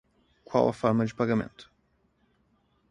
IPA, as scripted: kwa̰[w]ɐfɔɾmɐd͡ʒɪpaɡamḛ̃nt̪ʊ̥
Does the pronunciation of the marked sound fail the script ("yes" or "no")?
no